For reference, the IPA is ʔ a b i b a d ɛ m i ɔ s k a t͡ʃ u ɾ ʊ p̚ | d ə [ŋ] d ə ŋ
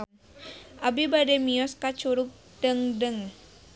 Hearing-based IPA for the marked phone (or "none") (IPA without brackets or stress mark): ŋ